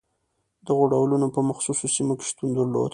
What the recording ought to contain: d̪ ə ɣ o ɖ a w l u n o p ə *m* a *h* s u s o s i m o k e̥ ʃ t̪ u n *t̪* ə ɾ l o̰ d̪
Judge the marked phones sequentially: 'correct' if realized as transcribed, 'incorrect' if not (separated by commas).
correct, incorrect, incorrect